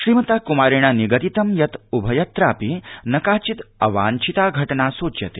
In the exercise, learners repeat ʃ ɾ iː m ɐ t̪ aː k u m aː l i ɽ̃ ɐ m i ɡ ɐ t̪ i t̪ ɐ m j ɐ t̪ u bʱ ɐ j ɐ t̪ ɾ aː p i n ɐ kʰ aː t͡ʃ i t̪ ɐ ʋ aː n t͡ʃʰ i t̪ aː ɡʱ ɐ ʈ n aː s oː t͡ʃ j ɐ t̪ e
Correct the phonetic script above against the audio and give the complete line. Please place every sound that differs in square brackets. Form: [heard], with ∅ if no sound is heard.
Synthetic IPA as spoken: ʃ ɾ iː m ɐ t̪ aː k u m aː [ɾ] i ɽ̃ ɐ [n] i ɡ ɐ t̪ i t̪ ɐ m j ɐ t̪ u bʱ ɐ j ɐ t̪ ɾ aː p i n ɐ [k] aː t͡ʃ i t̪ ɐ ʋ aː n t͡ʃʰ i t̪ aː ɡʱ ɐ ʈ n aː s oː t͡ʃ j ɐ t̪ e